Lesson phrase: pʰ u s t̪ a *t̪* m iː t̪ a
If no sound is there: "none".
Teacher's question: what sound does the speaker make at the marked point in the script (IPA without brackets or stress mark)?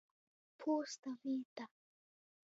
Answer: none